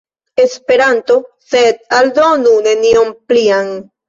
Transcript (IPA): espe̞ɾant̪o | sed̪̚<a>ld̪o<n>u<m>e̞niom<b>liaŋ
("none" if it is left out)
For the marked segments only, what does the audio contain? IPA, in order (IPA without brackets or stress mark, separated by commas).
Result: a, n, n, p